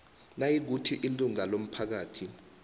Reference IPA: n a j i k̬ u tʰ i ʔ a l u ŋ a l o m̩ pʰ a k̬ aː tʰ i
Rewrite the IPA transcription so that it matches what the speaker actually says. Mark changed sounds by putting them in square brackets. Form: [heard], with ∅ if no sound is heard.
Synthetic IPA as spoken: n a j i k̬ u tʰ i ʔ [i] l u ŋ a l o m̩ pʰ a k̬ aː tʰ i